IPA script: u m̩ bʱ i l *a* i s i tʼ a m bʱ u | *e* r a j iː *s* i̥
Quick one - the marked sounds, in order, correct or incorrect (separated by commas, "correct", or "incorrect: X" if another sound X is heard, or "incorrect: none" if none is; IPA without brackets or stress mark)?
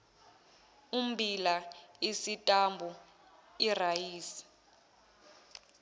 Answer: correct, incorrect: i, correct